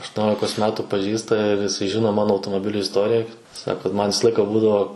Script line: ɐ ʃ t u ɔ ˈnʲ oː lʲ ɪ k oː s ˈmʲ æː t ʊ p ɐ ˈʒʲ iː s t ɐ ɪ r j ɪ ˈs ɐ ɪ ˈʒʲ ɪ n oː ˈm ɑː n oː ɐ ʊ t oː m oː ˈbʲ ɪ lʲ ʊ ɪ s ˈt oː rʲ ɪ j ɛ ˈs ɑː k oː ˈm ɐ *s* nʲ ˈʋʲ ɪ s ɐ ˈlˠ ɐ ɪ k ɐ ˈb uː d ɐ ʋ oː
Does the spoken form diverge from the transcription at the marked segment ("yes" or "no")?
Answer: yes